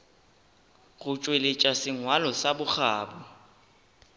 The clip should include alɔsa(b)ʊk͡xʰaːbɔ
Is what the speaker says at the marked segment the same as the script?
yes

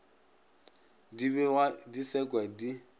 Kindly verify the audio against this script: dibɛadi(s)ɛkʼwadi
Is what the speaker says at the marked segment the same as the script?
yes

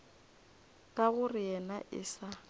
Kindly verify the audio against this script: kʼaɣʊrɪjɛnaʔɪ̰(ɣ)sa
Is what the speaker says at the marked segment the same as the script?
no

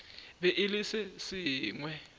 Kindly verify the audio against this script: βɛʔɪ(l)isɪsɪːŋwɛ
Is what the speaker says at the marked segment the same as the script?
yes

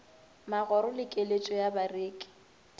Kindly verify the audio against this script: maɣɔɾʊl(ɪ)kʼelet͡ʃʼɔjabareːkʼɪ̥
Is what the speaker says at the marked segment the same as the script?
yes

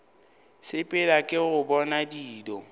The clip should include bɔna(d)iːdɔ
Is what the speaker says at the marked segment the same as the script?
yes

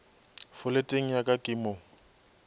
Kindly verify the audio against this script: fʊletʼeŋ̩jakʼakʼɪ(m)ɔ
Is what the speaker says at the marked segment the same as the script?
yes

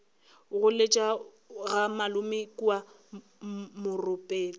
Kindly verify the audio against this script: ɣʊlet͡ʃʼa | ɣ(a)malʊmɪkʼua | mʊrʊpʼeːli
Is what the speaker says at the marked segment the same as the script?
yes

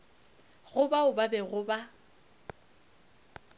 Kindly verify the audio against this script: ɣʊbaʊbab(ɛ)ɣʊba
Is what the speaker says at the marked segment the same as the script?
yes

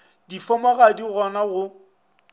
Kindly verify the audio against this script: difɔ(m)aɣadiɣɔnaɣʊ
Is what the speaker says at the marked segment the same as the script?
yes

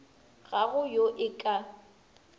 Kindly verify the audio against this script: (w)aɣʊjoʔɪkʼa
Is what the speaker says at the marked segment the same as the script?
no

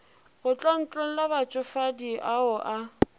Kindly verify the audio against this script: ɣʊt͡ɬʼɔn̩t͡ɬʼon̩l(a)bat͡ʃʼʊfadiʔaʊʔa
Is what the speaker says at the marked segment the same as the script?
yes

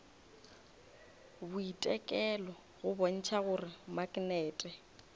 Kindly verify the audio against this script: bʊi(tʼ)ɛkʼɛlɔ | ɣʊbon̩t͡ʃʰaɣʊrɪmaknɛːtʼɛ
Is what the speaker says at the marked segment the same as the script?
yes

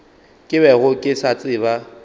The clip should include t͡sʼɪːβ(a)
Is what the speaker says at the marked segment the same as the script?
yes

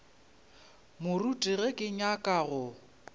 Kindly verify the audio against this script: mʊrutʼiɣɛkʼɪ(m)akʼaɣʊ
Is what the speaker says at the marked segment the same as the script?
no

